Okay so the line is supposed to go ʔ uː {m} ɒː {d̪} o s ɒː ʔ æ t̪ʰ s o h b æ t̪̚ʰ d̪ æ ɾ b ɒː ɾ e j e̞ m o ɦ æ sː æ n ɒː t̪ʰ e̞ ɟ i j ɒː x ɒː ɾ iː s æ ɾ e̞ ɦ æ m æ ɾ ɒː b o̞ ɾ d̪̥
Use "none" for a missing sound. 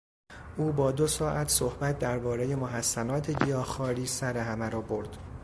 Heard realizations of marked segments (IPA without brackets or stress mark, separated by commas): b, d̪